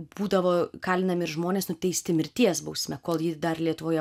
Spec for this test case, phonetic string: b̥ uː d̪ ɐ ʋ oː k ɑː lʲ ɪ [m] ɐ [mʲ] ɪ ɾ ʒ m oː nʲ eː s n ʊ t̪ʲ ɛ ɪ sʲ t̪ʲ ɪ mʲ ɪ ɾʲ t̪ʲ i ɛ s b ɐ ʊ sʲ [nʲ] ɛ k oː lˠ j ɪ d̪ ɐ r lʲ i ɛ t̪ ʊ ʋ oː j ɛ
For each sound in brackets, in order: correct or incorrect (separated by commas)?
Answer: incorrect, correct, incorrect